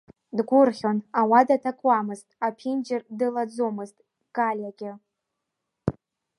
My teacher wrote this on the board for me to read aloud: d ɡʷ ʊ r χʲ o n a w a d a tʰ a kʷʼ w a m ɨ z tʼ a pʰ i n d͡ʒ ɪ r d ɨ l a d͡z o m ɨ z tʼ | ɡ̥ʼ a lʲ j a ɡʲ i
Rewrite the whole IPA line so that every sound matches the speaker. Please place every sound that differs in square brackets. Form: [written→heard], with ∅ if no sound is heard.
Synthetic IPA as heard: d ɡʷ ʊ r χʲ o n a w a d a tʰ a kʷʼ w a m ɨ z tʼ a pʰ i n d͡ʒ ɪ r d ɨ l a d͡z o m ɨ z tʼ | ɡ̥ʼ a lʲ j a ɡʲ [i→ɪ]